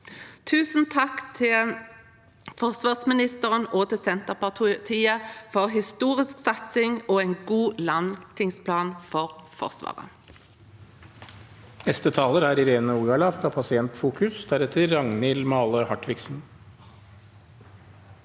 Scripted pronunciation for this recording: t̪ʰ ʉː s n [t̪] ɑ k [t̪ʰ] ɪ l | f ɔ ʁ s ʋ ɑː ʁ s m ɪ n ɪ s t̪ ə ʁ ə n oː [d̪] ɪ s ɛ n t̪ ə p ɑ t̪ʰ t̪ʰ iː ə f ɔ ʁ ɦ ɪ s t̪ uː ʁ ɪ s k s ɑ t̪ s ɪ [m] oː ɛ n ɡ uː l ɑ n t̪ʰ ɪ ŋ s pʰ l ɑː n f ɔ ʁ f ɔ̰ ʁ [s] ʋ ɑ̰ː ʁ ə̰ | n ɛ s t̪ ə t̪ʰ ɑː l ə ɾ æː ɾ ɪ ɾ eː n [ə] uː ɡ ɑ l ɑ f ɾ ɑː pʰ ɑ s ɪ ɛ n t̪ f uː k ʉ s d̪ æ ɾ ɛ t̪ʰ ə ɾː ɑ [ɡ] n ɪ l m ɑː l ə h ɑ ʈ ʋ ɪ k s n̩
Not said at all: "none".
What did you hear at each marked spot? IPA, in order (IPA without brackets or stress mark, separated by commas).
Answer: t̪ʰ, t̪ʰ, t̪, ŋ, s, ə, ŋ